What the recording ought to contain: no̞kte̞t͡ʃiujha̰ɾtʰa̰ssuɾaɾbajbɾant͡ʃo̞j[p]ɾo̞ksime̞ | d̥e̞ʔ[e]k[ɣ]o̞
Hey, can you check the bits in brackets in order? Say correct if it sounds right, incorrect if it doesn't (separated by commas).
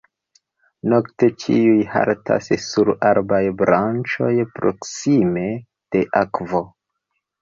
correct, incorrect, incorrect